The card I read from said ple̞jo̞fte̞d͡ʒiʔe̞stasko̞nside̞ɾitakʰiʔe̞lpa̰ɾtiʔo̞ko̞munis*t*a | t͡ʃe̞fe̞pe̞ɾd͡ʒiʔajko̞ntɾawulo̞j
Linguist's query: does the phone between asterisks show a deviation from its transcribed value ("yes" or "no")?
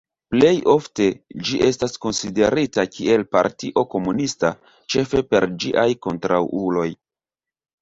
no